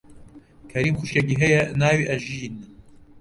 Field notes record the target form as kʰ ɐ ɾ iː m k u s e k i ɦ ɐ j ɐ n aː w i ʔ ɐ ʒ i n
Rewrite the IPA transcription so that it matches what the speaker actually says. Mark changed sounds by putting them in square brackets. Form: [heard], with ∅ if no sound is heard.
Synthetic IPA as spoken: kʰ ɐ ɾ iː m [x] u [ʃ] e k i ɦ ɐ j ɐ n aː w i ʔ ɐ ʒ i n